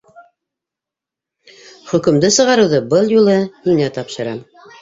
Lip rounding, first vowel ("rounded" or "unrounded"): rounded